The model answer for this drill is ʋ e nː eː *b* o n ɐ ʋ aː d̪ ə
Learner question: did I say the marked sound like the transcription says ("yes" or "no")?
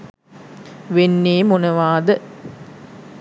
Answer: no